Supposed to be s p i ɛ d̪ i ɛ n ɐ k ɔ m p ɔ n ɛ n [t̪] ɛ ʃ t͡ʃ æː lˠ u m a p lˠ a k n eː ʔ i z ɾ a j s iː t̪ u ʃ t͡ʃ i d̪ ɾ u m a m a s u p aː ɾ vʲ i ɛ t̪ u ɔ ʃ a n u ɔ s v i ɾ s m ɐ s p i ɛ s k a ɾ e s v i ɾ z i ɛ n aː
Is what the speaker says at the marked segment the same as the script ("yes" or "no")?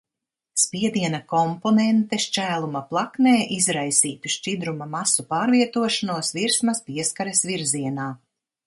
yes